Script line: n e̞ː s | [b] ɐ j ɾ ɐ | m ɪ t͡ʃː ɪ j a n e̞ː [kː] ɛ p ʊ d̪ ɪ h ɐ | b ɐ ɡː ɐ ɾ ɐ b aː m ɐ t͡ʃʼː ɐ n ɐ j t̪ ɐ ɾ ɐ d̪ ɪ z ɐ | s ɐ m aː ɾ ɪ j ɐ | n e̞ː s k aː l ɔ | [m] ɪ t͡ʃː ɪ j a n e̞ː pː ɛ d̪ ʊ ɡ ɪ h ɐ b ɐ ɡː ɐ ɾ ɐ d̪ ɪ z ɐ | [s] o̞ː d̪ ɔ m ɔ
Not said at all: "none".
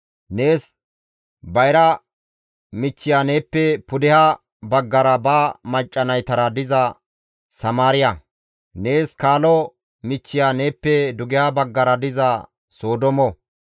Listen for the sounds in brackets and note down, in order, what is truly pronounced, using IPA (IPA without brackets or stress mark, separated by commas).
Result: b, pː, m, s